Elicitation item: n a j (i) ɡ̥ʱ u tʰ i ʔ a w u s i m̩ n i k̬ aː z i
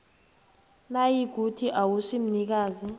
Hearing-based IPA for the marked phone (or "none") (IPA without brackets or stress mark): i